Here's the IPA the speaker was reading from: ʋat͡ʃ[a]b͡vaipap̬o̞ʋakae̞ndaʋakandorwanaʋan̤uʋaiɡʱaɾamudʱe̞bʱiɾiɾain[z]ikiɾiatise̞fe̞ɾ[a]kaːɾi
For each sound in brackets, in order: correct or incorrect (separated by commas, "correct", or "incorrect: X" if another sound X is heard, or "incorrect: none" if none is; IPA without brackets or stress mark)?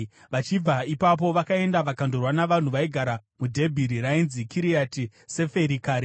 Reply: incorrect: i, correct, incorrect: i